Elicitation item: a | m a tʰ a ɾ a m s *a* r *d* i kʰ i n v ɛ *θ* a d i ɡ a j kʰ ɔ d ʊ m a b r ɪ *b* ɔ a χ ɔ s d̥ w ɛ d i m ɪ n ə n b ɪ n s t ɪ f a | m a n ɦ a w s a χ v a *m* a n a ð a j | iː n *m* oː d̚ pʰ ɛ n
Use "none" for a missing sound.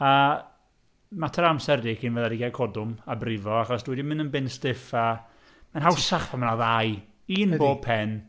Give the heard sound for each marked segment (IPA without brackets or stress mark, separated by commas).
ɛ, d, ð, v, m, b